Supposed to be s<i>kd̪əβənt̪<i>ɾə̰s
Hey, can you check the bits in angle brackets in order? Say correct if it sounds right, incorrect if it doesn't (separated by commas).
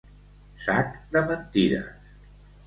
incorrect, correct